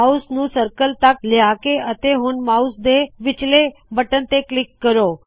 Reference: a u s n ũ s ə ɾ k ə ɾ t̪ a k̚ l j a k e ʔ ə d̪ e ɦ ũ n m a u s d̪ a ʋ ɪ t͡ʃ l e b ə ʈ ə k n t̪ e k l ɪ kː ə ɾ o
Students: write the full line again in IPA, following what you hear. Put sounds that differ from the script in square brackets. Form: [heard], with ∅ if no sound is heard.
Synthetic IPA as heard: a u s n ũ s ə ɾ k ə [l] t̪ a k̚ l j a k e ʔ ə [t̪] e ɦ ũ n m a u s d̪ [e] ʋ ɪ t͡ʃ l e b ə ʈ ə [∅] n t̪ e k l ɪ kː ə ɾ o